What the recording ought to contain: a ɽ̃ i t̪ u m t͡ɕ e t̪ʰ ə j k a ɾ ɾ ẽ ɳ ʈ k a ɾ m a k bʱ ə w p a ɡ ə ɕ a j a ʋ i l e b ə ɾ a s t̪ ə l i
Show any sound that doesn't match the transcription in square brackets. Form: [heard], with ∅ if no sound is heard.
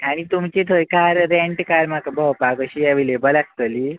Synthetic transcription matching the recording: a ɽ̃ i t̪ u m t͡ɕ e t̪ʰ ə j k a ɾ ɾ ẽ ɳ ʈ k a ɾ m a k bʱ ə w p a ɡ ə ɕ [i] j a ʋ i l e b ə [l] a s t̪ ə l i